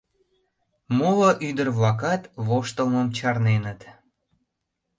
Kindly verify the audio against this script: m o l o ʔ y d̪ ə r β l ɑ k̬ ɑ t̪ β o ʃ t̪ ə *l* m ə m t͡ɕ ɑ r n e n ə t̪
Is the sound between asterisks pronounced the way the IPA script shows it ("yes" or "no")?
yes